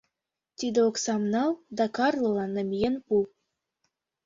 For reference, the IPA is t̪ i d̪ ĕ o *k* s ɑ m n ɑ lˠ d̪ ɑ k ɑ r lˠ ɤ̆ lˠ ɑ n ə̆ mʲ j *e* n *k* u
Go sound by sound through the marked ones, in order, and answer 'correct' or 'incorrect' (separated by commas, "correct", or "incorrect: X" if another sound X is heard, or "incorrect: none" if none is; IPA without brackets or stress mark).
correct, correct, incorrect: p